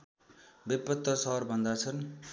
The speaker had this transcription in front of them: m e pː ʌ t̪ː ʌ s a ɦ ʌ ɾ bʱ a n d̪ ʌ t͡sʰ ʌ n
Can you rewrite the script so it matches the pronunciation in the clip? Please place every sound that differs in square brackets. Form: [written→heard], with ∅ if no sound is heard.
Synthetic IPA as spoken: [m→b] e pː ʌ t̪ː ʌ s [a→ʌ] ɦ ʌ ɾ bʱ [a→ʌ] n d̪ [ʌ→a] t͡sʰ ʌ n